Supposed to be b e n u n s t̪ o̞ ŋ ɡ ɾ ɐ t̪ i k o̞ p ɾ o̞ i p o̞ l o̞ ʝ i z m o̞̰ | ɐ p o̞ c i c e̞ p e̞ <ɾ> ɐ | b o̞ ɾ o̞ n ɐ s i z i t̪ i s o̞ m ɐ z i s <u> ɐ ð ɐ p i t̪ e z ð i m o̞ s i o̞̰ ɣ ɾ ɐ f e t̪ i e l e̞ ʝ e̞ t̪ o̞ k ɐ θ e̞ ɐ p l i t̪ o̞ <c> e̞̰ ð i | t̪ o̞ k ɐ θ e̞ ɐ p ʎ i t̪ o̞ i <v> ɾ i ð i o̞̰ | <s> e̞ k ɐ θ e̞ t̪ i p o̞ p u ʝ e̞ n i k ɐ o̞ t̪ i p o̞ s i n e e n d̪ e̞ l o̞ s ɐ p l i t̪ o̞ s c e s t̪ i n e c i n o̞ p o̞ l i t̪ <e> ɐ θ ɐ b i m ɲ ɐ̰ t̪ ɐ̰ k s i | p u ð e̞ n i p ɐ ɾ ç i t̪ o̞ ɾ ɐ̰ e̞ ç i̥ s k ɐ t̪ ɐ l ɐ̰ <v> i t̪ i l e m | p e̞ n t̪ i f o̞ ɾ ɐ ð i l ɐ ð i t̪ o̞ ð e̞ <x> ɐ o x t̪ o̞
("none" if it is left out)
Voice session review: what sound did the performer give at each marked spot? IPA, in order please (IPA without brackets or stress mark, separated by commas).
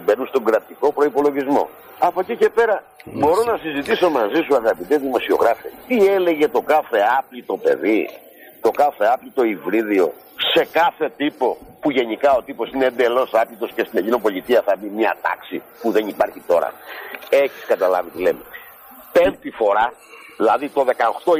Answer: ɾ, u, p, v, s, i, v, k